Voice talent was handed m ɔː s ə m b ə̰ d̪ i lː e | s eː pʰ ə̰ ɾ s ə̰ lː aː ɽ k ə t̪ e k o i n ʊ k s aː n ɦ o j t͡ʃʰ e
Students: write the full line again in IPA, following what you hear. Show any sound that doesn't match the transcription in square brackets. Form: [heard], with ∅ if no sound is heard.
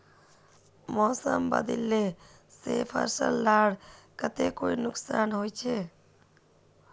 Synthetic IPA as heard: m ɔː s ə m b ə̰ d̪ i lː e | s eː pʰ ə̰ ɾ s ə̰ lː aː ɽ k ə t̪ e k o i n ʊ k s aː n ɦ o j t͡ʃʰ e